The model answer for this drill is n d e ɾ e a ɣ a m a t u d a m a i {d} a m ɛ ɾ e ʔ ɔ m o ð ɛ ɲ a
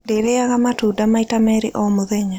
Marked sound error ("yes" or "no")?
yes